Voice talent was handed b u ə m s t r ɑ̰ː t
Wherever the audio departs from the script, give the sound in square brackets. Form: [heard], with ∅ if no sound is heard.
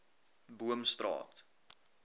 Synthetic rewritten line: b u ə m s t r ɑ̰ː t